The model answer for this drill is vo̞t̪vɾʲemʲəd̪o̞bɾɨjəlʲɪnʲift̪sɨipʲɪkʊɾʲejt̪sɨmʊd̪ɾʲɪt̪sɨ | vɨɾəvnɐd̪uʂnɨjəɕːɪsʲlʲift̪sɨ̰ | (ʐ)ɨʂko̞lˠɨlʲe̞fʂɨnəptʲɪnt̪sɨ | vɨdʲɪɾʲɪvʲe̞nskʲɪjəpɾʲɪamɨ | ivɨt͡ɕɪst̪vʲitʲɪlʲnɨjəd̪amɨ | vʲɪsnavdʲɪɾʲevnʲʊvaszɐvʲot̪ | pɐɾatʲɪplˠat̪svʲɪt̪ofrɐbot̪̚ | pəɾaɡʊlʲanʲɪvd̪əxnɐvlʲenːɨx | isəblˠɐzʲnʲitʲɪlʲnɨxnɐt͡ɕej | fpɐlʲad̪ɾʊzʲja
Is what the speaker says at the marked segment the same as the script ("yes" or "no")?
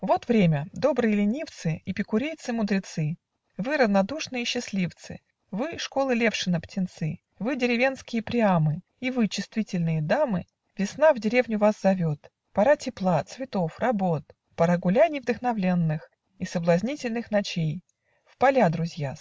no